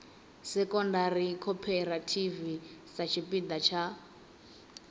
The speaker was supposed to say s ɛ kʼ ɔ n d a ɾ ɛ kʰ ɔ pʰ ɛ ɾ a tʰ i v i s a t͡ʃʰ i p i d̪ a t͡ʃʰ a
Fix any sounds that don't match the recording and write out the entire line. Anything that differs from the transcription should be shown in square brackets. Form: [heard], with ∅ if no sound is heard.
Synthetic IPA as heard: s ɛ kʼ ɔ n d a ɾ [i] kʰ ɔ pʰ ɛ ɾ a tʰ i v i s a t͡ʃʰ i p i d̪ a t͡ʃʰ a